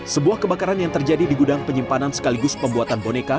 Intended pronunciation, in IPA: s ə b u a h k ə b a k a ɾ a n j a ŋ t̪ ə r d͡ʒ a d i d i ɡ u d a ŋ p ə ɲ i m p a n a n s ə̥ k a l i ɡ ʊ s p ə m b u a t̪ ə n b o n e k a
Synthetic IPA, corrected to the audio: s ə b u a h k ə b a k a ɾ a n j a ŋ t̪ ə r d͡ʒ a d i d i ɡ u d a ŋ p ə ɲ i m p a n a n s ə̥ k a l i ɡ ʊ s p ə m b u a t̪ a n b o n e k a